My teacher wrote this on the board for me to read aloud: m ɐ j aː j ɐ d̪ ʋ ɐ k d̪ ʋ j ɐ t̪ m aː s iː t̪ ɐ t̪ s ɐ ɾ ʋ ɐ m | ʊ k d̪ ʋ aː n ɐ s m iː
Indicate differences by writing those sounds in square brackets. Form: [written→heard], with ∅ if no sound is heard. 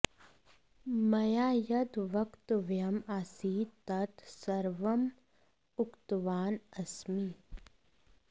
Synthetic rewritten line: m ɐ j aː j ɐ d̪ ʋ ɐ k [d̪→t̪] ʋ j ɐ [t̪→∅] m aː s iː t̪ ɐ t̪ s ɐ ɾ ʋ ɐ m | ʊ k [d̪→t̪] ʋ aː n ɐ s m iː